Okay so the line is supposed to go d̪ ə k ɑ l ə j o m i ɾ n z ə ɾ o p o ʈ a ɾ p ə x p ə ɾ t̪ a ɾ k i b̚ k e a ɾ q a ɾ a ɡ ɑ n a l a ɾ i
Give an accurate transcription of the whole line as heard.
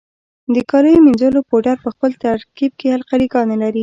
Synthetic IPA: d̪ ə k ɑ l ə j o m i n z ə l o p o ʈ a ɾ p ə x p ə l t̪ a ɾ k i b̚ k e a l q a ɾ i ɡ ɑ n a l a ɾ i